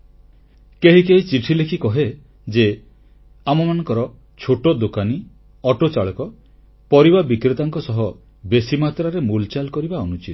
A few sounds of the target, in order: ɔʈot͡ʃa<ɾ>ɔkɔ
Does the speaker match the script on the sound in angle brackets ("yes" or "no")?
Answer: no